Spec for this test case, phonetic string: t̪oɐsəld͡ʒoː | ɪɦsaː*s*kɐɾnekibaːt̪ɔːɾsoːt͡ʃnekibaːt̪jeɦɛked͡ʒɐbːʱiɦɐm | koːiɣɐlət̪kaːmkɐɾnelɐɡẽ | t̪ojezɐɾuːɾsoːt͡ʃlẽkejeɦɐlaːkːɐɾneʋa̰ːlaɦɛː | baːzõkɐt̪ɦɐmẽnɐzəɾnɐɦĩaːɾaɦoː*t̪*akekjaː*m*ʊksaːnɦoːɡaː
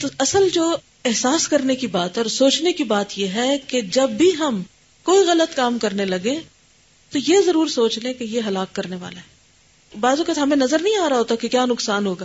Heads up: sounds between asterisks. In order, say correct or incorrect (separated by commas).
correct, correct, incorrect